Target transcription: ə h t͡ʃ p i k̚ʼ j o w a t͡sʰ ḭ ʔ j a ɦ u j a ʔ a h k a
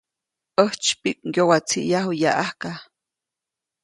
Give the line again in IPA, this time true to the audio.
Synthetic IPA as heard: ə h t͡ʃ p i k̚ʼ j o w a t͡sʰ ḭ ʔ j a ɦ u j a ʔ a h k a